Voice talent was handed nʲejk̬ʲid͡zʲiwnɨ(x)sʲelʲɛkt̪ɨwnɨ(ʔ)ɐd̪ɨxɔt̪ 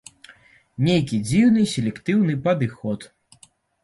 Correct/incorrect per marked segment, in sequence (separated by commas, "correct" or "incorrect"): incorrect, incorrect